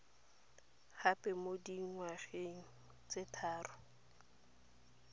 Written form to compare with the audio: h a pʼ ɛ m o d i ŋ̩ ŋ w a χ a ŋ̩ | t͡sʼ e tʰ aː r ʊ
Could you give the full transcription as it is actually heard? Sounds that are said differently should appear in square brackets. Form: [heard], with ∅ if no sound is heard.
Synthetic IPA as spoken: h a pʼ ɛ m o d i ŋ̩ ŋ w a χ [e] ŋ̩ | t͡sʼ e tʰ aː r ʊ